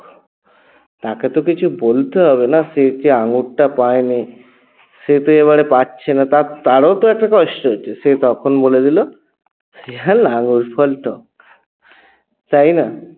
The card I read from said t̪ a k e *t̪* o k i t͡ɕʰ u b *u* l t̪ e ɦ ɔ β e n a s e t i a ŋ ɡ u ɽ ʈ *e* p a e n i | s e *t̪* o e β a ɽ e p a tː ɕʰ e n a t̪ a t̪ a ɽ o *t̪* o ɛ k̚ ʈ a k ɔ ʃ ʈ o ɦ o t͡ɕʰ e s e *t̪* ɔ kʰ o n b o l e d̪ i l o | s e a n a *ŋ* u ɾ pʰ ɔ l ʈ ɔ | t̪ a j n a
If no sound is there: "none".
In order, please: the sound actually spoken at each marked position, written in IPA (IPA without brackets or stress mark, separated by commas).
t̪, o, a, t̪, t̪, t̪, ŋ